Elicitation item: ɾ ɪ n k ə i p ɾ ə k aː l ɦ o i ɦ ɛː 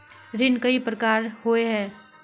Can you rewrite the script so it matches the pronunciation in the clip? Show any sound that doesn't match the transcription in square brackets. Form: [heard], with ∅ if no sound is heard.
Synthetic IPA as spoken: ɾ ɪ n k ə i p ɾ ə k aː [ɾ] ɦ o [e] ɦ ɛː